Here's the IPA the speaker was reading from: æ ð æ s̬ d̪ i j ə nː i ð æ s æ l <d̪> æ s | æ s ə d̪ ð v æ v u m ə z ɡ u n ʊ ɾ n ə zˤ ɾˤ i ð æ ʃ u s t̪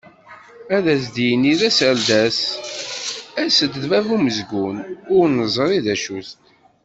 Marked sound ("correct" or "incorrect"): correct